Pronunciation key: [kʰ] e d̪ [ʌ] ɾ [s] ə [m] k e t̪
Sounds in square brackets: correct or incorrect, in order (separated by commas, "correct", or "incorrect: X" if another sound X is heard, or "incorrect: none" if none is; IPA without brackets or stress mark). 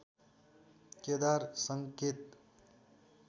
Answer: incorrect: k, incorrect: a, correct, incorrect: ŋ